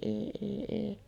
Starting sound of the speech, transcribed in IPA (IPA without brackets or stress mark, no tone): eˑ